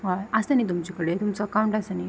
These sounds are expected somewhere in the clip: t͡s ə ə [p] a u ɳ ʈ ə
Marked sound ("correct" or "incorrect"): incorrect